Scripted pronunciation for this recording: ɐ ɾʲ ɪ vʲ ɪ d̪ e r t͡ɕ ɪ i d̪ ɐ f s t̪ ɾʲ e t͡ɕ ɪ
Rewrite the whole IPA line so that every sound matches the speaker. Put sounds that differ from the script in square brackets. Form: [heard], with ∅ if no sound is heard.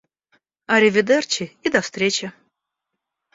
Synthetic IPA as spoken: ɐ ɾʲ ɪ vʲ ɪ d̪ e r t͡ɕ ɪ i d̪ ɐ f s t̪ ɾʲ e t͡ɕ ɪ